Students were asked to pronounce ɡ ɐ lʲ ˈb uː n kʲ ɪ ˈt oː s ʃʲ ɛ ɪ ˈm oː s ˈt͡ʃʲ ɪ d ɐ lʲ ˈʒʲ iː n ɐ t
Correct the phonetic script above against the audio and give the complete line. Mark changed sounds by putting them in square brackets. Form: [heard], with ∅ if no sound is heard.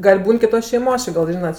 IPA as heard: ɡ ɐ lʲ ˈb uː n kʲ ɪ ˈt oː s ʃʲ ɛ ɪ ˈm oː s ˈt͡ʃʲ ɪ [ɡ] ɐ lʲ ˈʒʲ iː n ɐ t